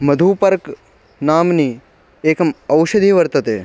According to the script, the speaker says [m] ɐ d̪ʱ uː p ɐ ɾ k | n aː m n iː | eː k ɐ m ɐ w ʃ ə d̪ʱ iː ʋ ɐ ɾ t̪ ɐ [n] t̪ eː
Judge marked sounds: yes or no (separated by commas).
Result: yes, no